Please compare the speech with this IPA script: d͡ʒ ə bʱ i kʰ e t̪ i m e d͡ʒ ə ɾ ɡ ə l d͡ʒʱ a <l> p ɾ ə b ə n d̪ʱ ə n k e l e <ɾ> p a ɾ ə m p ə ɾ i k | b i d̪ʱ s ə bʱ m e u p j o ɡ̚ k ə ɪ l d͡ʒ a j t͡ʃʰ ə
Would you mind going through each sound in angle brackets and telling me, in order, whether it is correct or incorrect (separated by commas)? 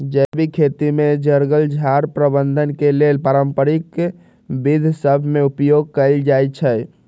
incorrect, incorrect